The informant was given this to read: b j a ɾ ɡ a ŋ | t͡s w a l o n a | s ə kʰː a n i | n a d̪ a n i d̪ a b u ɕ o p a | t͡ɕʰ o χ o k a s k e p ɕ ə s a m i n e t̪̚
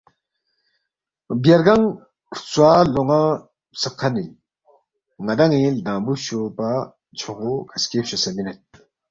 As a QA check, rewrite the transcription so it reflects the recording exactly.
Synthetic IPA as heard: b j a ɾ ɡ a ŋ | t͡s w a l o ŋ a | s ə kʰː a n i | ŋ a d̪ a ŋ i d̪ a b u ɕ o p a | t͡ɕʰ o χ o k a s k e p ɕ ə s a m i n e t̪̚